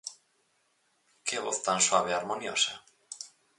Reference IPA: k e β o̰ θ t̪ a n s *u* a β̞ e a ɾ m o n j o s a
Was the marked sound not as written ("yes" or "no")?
yes